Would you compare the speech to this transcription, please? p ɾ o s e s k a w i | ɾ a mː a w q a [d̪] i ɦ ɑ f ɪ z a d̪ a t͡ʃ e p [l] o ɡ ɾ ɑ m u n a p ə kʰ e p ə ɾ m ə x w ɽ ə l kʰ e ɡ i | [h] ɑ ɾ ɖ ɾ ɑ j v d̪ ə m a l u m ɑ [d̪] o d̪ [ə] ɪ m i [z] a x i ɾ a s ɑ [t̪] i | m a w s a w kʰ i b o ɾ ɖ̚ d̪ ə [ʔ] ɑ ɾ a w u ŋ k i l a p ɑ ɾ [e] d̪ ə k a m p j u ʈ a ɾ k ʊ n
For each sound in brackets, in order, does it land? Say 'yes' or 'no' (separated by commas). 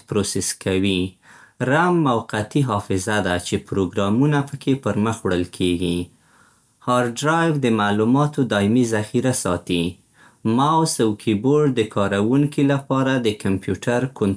no, no, yes, no, no, yes, yes, no, no